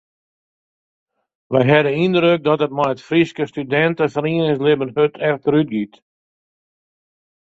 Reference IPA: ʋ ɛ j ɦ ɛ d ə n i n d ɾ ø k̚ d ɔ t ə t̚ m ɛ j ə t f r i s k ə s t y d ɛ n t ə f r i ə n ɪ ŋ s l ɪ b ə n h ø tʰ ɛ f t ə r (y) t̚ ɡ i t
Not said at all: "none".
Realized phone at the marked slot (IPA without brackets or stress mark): y